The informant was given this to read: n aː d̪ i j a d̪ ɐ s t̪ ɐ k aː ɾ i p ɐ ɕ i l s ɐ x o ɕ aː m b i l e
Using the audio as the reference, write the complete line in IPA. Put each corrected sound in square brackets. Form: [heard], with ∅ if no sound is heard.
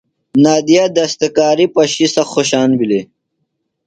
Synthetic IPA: n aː d̪ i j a d̪ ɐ s t̪ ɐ k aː ɾ i p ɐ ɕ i [∅] s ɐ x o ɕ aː [n] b i l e

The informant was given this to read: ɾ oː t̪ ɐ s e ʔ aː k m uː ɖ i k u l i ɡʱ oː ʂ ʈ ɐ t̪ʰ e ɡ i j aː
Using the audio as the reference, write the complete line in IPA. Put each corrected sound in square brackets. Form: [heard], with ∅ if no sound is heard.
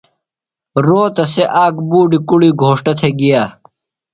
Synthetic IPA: ɾ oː t̪ ɐ s e ʔ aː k [b] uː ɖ i k u [ɽ] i ɡʱ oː ʂ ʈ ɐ t̪ʰ e ɡ i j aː

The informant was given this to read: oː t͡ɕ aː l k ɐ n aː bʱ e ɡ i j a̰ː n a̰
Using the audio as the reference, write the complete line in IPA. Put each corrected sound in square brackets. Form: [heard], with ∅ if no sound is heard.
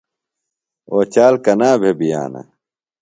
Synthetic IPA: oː t͡ɕ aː l k ɐ n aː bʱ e [b] i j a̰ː n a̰

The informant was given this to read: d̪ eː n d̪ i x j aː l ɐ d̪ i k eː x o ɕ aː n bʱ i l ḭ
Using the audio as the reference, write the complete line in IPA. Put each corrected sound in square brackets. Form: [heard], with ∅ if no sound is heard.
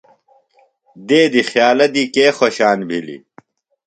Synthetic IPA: d̪ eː [∅] d̪ i x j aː l ɐ d̪ i k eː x o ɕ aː n bʱ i l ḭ

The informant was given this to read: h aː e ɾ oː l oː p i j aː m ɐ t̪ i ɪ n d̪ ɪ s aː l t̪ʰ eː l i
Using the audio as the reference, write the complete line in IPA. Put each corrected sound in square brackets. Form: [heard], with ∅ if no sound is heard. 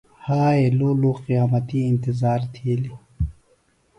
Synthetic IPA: h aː e [l] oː l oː [q] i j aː m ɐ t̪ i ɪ n [t̪] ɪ [z] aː [ɾ] t̪ʰ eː l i

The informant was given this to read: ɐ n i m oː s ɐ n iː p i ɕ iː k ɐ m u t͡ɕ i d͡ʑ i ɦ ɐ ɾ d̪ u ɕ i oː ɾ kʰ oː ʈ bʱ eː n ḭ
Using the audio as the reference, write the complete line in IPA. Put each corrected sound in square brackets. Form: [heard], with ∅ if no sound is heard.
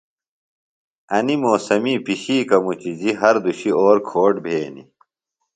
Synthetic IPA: ɐ n i m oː s ɐ [m] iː p i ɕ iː k ɐ m u t͡ɕ i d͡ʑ i ɦ ɐ ɾ d̪ u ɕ i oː ɾ kʰ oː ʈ bʱ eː n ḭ

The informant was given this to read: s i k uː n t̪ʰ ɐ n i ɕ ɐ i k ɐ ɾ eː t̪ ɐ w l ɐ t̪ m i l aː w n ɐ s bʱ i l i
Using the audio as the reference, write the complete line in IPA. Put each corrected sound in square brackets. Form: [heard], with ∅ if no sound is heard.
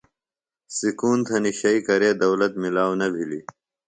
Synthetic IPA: s i k uː n t̪ʰ ɐ n i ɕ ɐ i k ɐ ɾ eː [d̪] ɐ w l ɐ t̪ m i l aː w n ɐ [∅] bʱ i l i

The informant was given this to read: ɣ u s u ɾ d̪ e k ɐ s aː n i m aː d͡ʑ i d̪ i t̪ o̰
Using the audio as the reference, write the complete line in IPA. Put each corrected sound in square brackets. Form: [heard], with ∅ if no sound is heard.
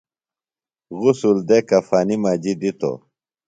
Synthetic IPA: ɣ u s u [l] d̪ e k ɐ [f] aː n i m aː d͡ʑ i d̪ i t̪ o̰

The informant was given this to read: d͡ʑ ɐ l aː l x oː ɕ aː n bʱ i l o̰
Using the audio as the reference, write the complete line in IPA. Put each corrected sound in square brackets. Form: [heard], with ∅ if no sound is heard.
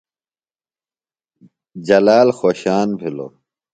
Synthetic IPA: d͡ʑ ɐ l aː l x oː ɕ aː n bʱ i l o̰

